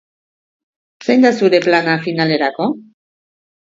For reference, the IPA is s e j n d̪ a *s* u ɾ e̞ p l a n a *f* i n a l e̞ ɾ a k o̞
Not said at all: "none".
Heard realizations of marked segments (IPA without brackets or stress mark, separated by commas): s, f